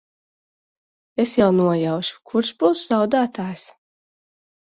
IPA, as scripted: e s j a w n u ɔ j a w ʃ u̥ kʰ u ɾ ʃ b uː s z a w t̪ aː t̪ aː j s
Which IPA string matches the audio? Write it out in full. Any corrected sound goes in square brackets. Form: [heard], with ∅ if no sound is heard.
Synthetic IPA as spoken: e s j a w n u ɔ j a w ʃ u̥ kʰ u ɾ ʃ b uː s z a w [d̪] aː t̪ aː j s